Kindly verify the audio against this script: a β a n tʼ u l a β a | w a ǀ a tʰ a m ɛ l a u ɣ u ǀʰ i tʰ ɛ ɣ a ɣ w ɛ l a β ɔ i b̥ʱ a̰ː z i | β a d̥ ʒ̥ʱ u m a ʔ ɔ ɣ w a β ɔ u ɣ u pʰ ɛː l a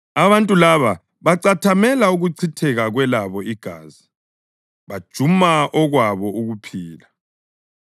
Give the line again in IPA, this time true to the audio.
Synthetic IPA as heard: a β a n tʼ u l a β a | β a ǀ a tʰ a m ɛ l a u ɣ u ǀʰ i tʰ ɛ ɣ a ɣ w ɛ l a β ɔ i ɡ̥ʱ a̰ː z i | β a d̥ ʒ̥ʱ u m a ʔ ɔ ɣ w a β ɔ u ɣ u pʰ iː l a